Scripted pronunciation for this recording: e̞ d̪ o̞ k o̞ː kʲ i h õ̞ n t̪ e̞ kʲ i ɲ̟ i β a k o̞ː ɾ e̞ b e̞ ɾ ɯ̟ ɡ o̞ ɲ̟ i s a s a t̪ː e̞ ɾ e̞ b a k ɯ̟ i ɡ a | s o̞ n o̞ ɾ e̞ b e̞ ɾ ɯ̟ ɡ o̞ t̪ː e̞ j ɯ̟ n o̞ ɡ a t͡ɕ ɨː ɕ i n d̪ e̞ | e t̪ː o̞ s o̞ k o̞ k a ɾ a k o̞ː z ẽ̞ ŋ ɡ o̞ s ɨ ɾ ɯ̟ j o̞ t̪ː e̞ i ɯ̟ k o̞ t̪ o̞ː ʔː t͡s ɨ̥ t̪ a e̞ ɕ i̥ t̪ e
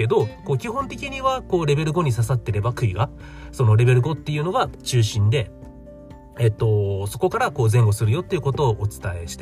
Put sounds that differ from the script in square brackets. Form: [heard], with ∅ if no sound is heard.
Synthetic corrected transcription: e̞ d̪ o̞ k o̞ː kʲ i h õ̞ n t̪ e̞ kʲ i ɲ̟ i β a k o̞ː ɾ e̞ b e̞ ɾ ɯ̟ ɡ o̞ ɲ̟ i s a s a t̪ː e̞ ɾ e̞ b a k ɯ̟ i ɡ a | s o̞ n o̞ ɾ e̞ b e̞ ɾ ɯ̟ ɡ o̞ t̪ː e̞ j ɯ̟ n o̞ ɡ a t͡ɕ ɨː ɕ [ĩ] n d̪ e̞ | e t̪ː o̞ s o̞ k o̞ k a ɾ a k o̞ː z ẽ̞ ŋ ɡ o̞ s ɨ ɾ ɯ̟ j o̞ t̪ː e̞ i ɯ̟ k o̞ t̪ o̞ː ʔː t͡s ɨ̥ t̪ a e̞ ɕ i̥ t̪ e